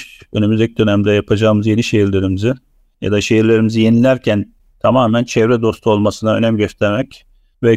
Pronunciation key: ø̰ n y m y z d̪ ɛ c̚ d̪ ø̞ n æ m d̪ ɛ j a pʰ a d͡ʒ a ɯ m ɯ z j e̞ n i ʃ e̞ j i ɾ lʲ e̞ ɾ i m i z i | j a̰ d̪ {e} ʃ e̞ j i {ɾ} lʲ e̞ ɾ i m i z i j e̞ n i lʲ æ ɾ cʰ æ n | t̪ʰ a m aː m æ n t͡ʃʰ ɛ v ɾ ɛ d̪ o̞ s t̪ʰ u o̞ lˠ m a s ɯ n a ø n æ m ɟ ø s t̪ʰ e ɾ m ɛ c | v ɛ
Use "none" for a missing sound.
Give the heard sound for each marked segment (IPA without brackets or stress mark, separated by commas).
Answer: a, ɾ